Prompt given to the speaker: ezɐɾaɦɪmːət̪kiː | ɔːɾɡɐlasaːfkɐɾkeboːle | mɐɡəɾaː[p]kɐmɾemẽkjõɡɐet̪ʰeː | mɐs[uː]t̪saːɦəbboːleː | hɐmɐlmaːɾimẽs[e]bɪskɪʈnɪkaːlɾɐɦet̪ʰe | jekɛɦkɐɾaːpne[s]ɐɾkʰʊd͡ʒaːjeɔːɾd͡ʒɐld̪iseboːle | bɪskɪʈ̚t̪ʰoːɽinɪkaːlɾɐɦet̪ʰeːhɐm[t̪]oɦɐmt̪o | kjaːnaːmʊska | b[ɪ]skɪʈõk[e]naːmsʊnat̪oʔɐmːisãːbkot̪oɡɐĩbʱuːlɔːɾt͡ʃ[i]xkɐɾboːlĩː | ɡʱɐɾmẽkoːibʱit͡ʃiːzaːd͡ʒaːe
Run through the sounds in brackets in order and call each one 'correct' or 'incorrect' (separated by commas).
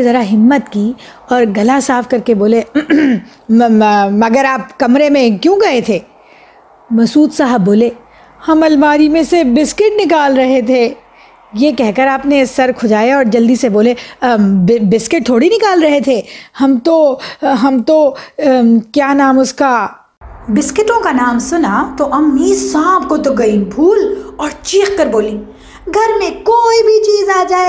correct, correct, correct, correct, correct, correct, incorrect, incorrect